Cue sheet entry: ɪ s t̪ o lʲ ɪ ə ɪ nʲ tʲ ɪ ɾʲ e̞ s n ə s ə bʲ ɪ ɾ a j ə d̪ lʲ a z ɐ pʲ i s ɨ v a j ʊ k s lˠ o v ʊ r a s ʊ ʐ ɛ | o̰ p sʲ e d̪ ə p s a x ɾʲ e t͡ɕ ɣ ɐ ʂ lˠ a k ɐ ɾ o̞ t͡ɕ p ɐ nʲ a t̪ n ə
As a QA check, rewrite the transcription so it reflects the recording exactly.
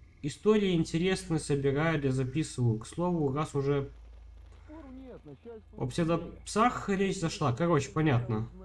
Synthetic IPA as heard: ɪ s t̪ o ɾʲ ɪ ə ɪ nʲ tʲ ɪ ɾʲ e̞ s n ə s ə bʲ ɪ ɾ a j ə d̪ lʲ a z ɐ pʲ i s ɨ v ə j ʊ k s lˠ o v ʊ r a s ʊ ʐ ɛ | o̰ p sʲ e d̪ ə p s a x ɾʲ e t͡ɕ z ɐ ʂ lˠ a k ɐ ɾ o̞ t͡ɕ p ɐ nʲ a t̪ n ə